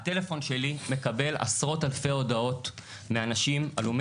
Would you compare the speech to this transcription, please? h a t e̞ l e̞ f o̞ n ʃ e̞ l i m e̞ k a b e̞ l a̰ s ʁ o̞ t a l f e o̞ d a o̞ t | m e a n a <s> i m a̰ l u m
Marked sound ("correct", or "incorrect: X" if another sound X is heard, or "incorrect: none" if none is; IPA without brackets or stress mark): incorrect: ʃ